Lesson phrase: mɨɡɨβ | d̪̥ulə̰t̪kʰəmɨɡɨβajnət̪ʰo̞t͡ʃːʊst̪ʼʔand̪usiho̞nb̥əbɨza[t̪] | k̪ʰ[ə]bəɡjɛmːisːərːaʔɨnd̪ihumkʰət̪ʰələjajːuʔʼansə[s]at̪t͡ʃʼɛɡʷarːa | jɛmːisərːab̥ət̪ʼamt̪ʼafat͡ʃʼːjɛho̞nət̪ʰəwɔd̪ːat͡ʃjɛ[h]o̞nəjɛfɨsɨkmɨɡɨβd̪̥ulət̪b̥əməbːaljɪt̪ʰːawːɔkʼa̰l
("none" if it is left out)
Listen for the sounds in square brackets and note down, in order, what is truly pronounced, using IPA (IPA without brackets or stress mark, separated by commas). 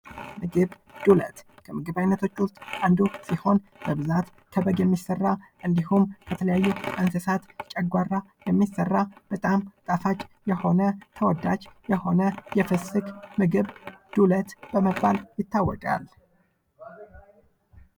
t̪, ə, s, h